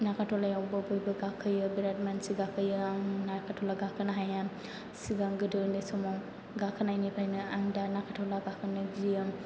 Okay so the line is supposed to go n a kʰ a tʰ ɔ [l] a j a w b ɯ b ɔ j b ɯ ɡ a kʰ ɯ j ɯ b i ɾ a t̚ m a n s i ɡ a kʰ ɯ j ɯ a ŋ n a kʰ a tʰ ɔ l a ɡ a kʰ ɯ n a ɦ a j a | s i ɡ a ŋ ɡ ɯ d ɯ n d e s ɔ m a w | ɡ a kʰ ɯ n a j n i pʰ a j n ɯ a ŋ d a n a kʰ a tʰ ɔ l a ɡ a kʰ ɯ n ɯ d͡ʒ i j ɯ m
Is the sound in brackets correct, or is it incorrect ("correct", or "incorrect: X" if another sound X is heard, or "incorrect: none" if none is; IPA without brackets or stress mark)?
correct